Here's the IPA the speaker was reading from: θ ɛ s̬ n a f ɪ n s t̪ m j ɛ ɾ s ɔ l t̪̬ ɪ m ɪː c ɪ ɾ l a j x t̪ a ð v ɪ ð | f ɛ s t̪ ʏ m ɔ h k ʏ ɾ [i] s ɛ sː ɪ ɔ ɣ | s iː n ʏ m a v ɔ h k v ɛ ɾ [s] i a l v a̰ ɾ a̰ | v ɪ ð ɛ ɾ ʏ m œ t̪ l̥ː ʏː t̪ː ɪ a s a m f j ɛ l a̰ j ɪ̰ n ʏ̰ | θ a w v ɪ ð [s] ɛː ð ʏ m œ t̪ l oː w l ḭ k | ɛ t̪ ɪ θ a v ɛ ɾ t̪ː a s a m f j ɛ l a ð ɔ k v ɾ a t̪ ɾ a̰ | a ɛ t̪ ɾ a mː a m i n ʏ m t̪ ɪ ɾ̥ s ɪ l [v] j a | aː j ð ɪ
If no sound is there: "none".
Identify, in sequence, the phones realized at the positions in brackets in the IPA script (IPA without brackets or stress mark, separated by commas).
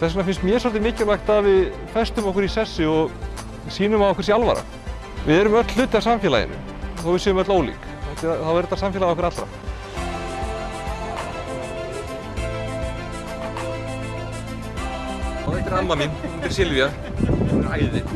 i, s, s, v